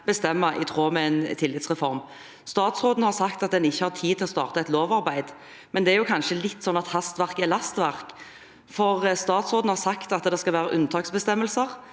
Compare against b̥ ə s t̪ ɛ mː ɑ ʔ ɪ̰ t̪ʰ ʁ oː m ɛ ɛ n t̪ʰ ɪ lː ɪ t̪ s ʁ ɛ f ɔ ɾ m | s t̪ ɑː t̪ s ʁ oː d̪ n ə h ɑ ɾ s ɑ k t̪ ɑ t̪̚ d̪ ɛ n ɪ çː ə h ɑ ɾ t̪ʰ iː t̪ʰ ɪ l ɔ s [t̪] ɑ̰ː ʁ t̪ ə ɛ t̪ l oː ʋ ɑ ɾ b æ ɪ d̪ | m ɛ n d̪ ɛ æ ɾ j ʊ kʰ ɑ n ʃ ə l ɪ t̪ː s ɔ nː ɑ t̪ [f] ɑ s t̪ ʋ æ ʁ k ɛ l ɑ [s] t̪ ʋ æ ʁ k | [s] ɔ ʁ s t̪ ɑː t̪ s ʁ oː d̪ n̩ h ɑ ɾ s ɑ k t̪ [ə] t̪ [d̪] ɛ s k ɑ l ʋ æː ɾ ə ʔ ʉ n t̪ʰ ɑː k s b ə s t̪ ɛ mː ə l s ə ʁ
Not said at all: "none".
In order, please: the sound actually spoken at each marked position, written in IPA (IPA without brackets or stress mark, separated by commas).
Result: t̪, h, s, f, ɑ, d̪